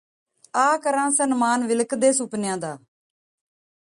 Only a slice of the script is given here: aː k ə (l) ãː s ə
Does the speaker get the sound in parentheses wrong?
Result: yes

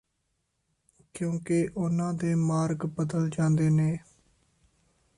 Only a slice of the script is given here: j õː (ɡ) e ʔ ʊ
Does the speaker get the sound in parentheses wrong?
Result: yes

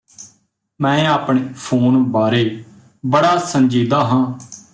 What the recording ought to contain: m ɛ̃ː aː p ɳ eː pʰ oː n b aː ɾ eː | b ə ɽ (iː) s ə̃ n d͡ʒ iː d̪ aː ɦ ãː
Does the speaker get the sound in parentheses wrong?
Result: yes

